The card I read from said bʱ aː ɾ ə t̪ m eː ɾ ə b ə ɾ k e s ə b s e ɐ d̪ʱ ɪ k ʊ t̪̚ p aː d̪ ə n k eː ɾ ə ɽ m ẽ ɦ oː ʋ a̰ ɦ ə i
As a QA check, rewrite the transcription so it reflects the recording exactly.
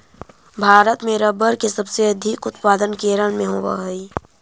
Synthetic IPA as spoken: bʱ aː ɾ ə t̪ m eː ɾ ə b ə ɾ k e s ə b s e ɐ d̪ʱ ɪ k ʊ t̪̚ p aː d̪ ə n k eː ɾ ə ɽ m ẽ ɦ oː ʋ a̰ ɦ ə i